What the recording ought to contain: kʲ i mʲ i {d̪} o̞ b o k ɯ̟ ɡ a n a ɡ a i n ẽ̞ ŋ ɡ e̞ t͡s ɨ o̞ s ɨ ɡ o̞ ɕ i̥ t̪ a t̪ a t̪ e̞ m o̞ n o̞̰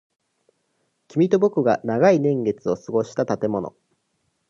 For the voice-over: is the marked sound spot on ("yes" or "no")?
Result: no